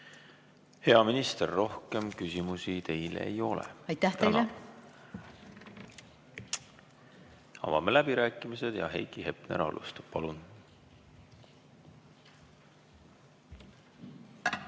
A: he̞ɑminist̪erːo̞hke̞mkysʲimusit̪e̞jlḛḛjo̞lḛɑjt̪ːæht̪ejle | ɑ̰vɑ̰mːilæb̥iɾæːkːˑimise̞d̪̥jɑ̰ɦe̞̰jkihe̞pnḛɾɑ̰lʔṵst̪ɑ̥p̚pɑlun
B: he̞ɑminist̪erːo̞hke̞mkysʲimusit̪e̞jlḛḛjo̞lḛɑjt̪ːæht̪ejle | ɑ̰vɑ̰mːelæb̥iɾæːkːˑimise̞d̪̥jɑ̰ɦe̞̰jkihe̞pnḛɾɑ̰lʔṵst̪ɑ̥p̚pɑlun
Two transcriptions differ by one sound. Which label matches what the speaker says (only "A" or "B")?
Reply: B